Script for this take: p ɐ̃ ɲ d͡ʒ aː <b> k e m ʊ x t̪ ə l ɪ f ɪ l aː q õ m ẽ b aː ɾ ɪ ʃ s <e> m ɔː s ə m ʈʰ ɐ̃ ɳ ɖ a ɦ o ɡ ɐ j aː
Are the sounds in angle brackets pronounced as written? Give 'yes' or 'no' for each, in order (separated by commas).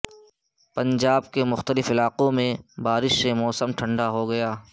yes, yes